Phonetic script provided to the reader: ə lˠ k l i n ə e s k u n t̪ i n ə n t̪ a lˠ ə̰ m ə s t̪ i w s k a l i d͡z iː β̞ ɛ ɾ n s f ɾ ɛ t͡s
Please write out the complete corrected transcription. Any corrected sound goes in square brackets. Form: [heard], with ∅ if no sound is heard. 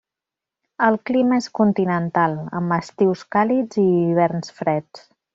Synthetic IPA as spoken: ə lˠ k l i [m] ə e s k u n t̪ i n ə n t̪ a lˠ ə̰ m ə s t̪ i w s k a l i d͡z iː β̞ ɛ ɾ n s f ɾ ɛ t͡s

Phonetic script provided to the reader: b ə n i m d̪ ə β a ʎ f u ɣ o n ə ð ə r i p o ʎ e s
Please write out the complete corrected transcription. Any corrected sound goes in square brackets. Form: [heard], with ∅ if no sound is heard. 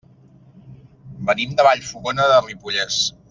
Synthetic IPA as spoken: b ə n i m d̪ ə β a ʎ f u ɣ o n ə ð ə r i p [u] ʎ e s

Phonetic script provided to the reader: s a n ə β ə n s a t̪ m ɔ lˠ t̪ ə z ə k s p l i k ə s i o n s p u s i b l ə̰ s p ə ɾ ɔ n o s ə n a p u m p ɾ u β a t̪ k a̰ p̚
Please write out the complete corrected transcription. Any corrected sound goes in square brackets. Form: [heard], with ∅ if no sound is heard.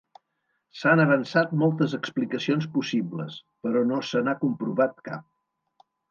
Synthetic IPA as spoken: s a n ə β ə n s a t̪ m ɔ lˠ t̪ ə z ə k s p l i k ə s i o n s p u s i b l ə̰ s p ə ɾ ɔ n o s ə n a [k] u m p ɾ u β a t̪ k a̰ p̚

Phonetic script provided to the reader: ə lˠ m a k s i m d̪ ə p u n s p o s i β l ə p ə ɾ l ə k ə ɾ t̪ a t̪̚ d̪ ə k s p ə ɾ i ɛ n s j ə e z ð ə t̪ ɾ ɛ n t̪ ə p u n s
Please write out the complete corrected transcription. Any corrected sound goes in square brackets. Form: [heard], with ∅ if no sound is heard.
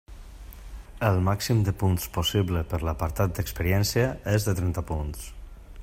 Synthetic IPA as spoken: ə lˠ m a k s i m d̪ ə p u n s p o s i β l ə p ə ɾ l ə [p] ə ɾ t̪ a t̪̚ d̪ ə k s p ə ɾ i ɛ n s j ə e z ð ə t̪ ɾ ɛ n t̪ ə p u n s

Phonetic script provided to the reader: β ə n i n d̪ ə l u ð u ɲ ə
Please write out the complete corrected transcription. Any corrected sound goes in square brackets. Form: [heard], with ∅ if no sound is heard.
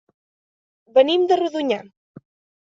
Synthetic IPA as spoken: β ə n i [m] d̪ ə [r] u ð u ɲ [a]

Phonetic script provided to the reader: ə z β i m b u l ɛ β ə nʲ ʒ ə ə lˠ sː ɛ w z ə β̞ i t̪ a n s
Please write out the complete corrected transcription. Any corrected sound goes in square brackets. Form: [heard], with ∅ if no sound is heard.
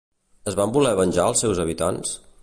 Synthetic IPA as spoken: ə z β [a] m b u l ɛ β ə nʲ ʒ [a] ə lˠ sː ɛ w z ə β̞ i t̪ a n s

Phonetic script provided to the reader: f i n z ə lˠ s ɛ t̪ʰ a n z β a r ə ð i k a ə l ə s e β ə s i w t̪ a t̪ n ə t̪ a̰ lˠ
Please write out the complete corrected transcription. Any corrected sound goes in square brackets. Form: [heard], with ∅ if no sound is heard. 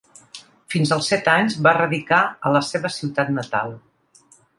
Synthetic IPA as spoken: f i n z ə lˠ s ɛ [t̪] a [ɲ] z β a r ə ð i k a ə l ə s e β ə s i w t̪ a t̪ n ə t̪ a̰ lˠ

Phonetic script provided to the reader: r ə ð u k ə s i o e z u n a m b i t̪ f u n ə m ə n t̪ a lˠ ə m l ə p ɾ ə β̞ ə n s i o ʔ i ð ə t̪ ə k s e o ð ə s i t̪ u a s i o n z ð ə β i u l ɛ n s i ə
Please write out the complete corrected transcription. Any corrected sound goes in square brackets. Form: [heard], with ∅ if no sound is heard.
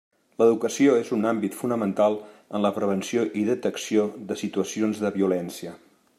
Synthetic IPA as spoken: [l] ə ð u k ə s i o e z u n a m b i t̪ f u n ə m ə n t̪ a lˠ ə [n] l ə p ɾ ə β̞ ə n s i o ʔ i ð ə t̪ ə k s [i] o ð ə s i t̪ u [ə] s i o n z ð ə β i u l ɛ n s i ə

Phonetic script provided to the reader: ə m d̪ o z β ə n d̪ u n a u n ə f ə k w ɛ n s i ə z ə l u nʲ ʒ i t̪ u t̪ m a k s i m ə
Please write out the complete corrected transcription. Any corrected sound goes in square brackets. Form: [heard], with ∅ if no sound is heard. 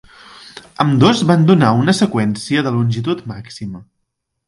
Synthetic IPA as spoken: ə m d̪ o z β [a] n d̪ u n a u n ə [s] ə k w ɛ n s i ə [ð] ə l u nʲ ʒ i t̪ u t̪ m a k s i m ə

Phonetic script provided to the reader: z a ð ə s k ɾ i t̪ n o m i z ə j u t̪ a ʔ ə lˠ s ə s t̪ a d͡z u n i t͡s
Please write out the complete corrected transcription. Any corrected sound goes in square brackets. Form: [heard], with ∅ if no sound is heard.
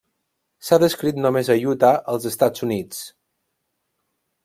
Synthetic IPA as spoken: [s] a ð ə s k ɾ i t̪ n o m [e] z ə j u t̪ a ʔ ə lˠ [z] ə s t̪ a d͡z u n i t͡s

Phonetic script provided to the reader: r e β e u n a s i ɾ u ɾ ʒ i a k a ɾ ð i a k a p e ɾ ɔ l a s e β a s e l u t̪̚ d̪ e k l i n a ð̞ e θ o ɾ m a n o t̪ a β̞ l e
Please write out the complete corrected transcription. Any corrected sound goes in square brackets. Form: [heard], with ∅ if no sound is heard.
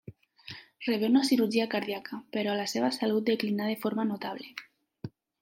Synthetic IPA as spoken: r e β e u n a s i ɾ u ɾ ʒ i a k a ɾ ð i a k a p e ɾ ɔ l a s e β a s [a] l u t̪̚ d̪ e k l i n a ð̞ e [f] o ɾ m a n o t̪ a β̞ l e

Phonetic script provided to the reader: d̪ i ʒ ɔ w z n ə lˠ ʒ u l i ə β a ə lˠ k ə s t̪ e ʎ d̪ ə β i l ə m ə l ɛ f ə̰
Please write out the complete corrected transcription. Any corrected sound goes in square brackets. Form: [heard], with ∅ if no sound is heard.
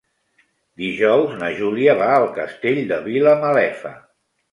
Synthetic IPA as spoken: d̪ i ʒ ɔ w z n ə [∅] ʒ u l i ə β a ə lˠ k ə s t̪ e ʎ d̪ ə β i l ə m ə l ɛ f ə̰

